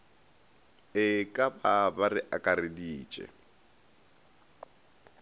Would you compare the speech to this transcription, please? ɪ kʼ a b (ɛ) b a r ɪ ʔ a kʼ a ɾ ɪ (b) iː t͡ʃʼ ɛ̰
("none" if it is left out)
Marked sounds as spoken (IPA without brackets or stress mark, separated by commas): a, d